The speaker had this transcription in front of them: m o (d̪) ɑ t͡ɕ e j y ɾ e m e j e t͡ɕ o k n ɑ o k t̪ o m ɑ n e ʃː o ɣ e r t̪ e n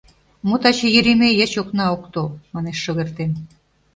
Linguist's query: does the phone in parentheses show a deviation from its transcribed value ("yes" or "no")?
yes